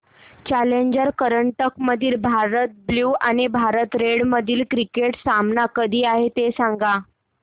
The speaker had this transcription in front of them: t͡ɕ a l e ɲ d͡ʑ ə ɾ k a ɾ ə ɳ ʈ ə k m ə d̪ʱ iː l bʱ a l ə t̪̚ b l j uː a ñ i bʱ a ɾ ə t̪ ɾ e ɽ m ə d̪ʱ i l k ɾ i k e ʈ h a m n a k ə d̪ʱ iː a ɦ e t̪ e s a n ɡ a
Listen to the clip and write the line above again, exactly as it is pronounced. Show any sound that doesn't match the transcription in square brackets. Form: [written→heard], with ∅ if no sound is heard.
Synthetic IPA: t͡ɕ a l e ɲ d͡ʑ ə ɾ k [a→ə] ɾ ə ɳ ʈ ə k m ə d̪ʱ iː l bʱ a [l→ɾ] ə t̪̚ b l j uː a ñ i bʱ a ɾ ə t̪ ɾ e ɽ m ə d̪ʱ [i→iː] l k ɾ i k e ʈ [h→s] a m n a k ə d̪ʱ iː a ɦ e t̪ e s a [n→ŋ] ɡ a